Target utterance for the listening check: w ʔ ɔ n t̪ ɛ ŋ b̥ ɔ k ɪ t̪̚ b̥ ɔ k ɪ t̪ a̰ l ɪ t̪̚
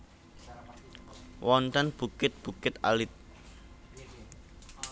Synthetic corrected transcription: w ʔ ɔ n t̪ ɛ n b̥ u k ɪ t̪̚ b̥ u k ɪ t̪ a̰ l ɪ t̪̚